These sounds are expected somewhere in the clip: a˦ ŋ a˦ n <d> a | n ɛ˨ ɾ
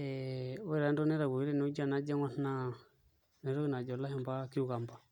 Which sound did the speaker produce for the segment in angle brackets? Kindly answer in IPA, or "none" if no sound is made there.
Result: n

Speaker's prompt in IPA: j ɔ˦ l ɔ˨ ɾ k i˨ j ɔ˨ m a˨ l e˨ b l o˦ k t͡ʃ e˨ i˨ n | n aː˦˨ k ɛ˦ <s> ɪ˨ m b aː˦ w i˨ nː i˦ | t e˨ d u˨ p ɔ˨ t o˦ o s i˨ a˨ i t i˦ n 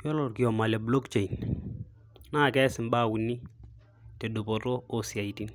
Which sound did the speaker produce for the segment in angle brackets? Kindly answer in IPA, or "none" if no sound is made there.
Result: s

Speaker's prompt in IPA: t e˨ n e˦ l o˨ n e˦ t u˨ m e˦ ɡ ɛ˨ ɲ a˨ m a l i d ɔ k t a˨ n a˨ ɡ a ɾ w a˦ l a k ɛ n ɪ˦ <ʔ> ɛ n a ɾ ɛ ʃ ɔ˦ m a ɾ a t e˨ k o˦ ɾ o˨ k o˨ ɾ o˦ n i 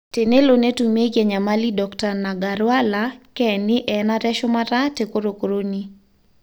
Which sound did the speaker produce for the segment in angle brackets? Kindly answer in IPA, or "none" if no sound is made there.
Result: ʔ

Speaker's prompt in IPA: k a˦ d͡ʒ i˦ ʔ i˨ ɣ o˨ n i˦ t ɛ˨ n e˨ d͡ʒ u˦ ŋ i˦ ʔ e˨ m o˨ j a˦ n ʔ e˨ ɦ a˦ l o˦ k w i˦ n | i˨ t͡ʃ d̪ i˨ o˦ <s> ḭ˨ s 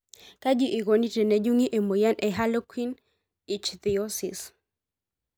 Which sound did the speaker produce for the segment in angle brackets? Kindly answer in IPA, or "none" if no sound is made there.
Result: s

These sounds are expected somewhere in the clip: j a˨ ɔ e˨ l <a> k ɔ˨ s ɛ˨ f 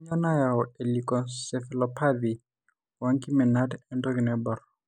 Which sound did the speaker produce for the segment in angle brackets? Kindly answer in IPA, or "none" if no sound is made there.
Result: i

